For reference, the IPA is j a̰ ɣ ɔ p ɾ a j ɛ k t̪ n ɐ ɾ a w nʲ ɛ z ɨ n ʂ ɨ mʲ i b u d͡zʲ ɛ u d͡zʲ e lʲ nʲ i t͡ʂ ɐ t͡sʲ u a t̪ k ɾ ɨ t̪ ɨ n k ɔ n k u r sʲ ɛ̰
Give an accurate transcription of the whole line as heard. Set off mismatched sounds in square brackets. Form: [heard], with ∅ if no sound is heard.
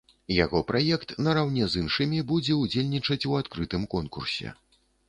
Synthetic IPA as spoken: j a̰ ɣ ɔ p ɾ a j ɛ k t̪ n ɐ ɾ a w nʲ ɛ z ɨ n ʂ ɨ mʲ i b u d͡zʲ ɛ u d͡zʲ e lʲ nʲ i t͡ʂ ɐ t͡sʲ u a t̪ k ɾ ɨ t̪ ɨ [m] k ɔ n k u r sʲ ɛ̰